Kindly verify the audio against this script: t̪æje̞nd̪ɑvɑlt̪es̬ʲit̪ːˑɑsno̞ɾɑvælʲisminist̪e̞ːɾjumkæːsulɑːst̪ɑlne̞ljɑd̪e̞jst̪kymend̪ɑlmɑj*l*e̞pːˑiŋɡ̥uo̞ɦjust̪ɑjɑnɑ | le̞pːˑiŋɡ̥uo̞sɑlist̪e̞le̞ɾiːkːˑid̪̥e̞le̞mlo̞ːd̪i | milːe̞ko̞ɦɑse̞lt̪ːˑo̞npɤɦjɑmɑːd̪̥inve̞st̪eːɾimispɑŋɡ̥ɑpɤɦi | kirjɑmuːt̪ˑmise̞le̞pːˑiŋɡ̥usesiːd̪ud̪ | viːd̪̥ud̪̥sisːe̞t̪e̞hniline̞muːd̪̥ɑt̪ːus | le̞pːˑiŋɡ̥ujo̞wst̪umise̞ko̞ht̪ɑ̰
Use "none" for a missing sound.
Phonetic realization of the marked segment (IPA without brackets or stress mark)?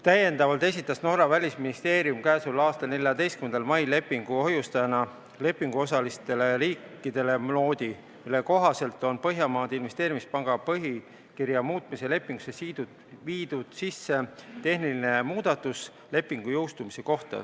l